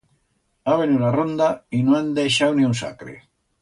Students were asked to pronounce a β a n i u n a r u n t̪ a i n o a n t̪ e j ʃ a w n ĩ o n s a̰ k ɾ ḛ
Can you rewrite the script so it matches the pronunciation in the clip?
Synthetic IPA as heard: a β e n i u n a r o n d̪ a i n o a n d̪ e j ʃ a w n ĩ u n s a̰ k ɾ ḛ